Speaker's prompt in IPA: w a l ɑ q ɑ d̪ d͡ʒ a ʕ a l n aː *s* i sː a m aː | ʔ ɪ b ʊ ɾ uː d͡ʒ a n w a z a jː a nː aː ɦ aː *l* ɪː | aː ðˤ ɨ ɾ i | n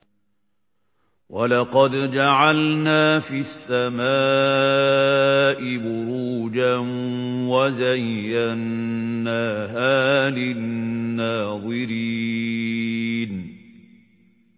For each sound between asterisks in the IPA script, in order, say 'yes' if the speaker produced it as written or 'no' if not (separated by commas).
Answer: no, yes